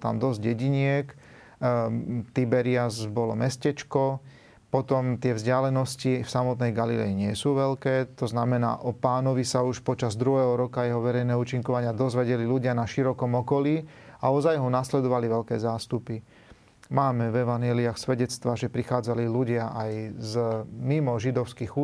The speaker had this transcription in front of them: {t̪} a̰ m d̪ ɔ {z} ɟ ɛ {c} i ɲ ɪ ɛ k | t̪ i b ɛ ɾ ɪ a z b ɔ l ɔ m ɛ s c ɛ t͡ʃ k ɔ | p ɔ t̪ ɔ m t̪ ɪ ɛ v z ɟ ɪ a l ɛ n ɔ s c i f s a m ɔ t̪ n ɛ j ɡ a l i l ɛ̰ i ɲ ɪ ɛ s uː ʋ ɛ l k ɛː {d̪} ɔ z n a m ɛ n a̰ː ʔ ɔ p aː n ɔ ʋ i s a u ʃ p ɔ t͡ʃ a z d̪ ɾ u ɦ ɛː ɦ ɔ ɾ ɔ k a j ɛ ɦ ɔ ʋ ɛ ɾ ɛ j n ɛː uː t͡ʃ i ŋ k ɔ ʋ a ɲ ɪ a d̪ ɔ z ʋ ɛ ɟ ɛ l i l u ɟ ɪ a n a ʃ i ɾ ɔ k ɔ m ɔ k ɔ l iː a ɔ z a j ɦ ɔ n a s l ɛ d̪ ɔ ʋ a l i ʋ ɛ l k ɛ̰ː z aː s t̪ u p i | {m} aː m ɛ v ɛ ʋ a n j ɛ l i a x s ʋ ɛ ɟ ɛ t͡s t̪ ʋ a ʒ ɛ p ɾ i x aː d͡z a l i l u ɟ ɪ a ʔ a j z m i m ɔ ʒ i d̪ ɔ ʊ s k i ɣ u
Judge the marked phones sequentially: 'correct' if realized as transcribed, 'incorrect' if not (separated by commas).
correct, correct, incorrect, incorrect, correct